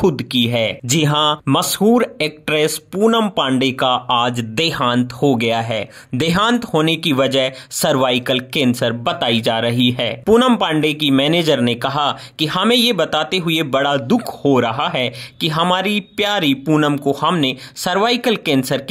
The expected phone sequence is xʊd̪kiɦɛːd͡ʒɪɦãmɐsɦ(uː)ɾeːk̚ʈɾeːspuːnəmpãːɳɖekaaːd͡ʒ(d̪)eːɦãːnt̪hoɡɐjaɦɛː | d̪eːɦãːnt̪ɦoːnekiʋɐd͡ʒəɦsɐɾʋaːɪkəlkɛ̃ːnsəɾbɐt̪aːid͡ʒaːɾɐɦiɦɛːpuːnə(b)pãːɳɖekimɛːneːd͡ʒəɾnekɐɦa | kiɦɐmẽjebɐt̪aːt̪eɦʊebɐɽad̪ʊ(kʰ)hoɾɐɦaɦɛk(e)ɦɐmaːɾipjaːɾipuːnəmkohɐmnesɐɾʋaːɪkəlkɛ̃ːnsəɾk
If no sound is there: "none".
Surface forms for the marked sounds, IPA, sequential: uː, d̪, m, kʰ, i

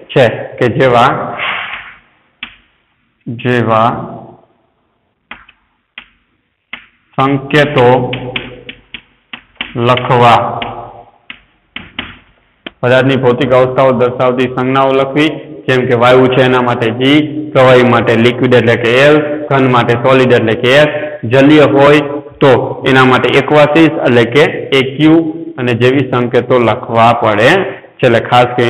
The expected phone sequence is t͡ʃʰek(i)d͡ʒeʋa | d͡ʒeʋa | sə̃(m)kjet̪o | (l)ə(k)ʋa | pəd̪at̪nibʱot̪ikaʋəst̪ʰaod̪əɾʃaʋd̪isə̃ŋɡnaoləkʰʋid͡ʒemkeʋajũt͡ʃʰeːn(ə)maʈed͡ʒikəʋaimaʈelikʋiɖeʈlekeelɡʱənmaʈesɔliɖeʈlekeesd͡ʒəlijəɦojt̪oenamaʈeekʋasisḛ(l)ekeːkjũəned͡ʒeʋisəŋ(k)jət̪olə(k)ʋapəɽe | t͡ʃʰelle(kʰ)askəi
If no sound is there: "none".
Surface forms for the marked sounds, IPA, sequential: e, ŋ, l, kʰ, a, l, k, kʰ, kʰ

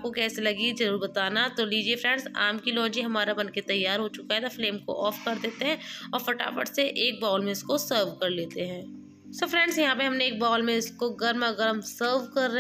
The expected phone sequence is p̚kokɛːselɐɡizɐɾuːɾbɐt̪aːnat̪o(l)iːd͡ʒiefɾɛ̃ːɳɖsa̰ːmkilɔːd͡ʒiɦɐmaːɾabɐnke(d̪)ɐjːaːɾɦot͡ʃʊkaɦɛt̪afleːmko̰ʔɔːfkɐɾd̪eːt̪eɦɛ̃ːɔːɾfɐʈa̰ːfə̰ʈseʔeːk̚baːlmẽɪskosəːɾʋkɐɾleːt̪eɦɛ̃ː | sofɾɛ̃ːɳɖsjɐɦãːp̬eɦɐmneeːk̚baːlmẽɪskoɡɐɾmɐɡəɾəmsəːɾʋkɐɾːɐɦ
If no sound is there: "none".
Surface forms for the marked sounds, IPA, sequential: l, t̪

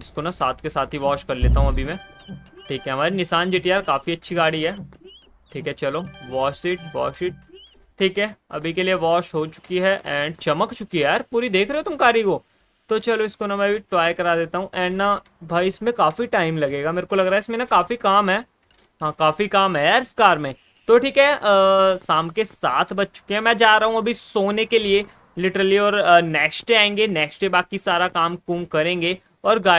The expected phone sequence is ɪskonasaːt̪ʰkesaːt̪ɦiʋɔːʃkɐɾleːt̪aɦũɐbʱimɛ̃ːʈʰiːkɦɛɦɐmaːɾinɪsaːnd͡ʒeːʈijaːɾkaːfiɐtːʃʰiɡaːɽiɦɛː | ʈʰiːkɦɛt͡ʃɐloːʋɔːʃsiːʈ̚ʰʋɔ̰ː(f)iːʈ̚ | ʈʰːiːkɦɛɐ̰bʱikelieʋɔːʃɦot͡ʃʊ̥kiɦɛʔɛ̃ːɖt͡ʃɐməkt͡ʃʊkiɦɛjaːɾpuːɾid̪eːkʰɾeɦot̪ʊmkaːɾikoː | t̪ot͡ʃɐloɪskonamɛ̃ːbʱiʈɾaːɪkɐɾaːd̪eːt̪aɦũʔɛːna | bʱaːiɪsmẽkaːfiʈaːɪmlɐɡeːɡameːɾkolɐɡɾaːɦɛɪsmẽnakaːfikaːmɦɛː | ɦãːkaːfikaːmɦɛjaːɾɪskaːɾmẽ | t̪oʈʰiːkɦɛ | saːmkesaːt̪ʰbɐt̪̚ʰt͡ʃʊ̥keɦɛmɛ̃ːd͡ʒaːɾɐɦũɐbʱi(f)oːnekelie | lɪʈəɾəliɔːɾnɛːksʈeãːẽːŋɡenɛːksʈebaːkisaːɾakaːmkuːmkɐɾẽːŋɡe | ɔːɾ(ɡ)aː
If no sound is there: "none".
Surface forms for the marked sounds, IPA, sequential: ʃ, s, ɡ

